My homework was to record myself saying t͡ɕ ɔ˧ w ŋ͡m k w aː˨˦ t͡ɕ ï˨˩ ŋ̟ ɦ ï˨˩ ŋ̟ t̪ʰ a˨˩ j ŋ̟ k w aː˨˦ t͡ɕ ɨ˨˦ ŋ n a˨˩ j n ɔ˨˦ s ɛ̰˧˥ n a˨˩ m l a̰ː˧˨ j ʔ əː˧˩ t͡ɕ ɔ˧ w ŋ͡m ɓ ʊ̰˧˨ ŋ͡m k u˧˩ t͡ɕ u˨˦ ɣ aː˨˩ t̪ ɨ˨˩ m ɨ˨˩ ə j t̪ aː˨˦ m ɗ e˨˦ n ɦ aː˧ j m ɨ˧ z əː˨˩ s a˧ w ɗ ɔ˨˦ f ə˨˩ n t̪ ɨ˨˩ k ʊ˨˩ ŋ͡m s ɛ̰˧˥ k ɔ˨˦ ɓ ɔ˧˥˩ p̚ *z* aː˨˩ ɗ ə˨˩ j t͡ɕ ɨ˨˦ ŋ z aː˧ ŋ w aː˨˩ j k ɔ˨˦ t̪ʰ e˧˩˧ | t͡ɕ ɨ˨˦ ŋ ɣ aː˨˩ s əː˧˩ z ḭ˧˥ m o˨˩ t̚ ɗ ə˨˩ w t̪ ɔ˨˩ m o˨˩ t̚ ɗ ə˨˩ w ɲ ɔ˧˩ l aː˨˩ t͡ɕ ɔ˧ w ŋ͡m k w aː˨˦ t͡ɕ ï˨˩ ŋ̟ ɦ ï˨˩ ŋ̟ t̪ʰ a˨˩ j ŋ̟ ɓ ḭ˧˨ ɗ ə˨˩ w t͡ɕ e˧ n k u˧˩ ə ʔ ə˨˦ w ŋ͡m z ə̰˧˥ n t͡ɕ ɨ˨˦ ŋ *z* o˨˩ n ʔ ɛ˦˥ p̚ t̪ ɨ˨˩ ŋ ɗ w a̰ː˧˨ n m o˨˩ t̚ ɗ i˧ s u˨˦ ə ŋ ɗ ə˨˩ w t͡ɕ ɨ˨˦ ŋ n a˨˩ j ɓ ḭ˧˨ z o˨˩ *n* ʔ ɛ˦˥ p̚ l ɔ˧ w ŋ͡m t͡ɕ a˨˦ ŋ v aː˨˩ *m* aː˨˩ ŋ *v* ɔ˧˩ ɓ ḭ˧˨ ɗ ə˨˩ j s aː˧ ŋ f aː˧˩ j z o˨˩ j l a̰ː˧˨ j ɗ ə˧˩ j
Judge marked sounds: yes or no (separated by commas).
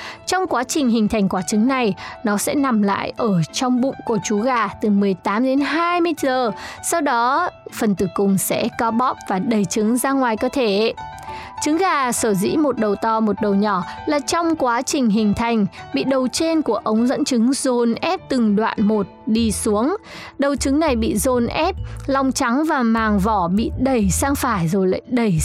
no, yes, yes, yes, yes